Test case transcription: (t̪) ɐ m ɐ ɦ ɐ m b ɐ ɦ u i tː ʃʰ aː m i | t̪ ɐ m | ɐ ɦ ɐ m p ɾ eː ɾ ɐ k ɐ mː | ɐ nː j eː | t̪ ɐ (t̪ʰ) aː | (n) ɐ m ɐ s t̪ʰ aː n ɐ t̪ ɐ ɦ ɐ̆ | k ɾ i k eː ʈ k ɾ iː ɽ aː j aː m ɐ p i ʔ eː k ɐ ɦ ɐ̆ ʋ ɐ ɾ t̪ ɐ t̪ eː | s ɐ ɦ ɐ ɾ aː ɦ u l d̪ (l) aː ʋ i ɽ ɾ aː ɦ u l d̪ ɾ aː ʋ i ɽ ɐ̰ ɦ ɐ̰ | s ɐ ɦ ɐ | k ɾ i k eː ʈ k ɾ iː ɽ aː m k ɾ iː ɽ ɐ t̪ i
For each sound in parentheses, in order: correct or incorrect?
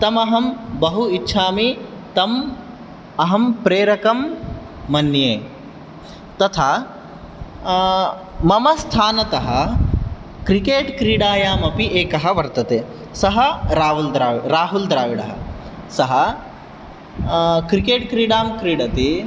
correct, correct, incorrect: m, incorrect: ɾ

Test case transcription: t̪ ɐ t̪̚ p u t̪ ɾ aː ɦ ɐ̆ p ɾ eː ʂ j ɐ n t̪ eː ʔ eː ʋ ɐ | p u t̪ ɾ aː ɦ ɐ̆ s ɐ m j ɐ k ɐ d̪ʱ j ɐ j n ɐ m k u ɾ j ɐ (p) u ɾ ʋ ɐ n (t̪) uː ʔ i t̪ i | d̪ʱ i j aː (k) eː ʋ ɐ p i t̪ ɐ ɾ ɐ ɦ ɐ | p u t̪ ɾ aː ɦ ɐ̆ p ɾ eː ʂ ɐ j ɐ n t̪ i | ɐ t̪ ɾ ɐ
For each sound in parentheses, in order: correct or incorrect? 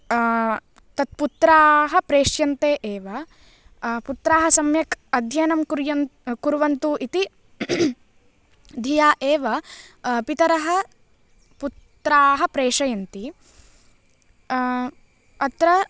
incorrect: k, correct, incorrect: ʔ

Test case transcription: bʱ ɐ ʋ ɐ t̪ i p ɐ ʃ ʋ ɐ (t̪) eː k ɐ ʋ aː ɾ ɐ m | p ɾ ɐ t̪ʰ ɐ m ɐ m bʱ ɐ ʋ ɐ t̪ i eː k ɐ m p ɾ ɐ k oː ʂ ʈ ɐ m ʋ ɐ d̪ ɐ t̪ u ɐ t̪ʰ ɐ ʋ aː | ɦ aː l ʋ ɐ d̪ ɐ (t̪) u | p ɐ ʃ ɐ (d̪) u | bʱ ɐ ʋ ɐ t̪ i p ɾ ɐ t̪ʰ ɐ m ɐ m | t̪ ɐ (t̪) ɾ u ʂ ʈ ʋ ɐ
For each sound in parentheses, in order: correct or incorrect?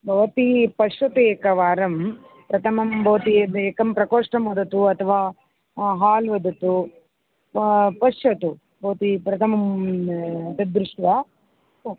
correct, correct, incorrect: t̪, incorrect: d̪

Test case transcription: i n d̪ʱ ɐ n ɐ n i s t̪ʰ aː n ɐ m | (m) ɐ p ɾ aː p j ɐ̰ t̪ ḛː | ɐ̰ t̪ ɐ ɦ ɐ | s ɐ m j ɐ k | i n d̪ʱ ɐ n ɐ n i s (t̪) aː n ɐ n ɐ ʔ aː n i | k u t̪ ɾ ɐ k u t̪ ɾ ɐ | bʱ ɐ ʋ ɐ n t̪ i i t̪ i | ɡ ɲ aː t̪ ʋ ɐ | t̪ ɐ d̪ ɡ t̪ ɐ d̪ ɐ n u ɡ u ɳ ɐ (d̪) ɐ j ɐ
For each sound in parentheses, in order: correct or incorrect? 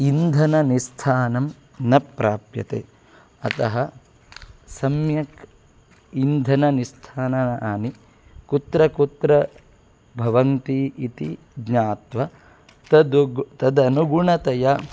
incorrect: n, incorrect: t̪ʰ, incorrect: t̪

